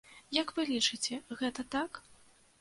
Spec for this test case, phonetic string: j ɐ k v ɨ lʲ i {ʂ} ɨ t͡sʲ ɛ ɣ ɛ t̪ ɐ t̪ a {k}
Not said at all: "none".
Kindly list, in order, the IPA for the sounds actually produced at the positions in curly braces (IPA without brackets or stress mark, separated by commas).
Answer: t͡ʂ, k